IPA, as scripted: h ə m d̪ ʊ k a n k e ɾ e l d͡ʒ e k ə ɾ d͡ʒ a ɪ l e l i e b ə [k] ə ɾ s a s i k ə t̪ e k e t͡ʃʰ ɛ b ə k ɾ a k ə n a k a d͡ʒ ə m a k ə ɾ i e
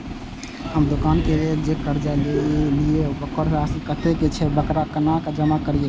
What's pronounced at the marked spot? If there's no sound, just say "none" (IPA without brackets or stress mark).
k